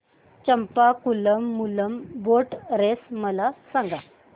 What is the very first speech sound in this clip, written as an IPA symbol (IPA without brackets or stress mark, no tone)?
t͡ɕ